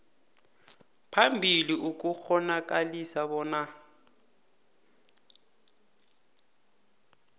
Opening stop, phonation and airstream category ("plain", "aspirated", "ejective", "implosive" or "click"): aspirated